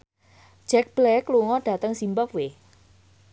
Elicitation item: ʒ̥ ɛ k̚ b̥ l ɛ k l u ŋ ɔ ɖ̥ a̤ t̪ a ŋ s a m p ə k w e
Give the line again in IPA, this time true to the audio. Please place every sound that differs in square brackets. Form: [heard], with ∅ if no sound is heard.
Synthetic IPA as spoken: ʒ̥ ɛ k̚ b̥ l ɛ k l u ŋ ɔ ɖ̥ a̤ t̪ [ə] ŋ s [i] m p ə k w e